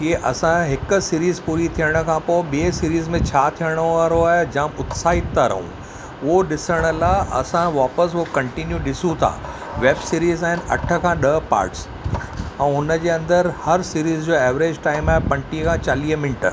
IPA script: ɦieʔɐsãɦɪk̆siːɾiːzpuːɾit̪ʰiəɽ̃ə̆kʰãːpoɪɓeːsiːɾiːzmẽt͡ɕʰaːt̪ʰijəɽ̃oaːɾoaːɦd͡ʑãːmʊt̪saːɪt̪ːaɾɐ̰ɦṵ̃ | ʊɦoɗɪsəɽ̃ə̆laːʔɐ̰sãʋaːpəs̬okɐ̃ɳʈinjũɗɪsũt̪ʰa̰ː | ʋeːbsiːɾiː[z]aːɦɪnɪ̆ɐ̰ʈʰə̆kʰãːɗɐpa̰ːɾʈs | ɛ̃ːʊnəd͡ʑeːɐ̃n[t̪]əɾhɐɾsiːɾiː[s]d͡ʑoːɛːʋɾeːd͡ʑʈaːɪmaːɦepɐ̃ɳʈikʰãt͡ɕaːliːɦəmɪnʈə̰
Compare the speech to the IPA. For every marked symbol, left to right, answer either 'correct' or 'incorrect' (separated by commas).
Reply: correct, incorrect, incorrect